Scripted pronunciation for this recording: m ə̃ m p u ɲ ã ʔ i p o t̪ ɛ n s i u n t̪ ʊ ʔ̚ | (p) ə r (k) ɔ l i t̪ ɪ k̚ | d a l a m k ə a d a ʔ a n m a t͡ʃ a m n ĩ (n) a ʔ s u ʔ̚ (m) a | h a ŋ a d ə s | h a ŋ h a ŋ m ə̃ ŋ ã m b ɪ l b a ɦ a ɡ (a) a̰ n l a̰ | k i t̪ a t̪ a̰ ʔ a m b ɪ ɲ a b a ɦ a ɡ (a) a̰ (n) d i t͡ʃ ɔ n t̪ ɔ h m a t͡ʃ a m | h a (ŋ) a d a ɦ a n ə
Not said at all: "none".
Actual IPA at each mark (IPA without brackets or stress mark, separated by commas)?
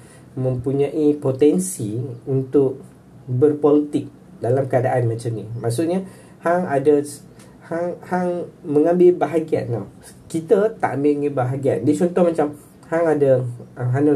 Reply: b, p, m, ɲ, i, i, n, ŋ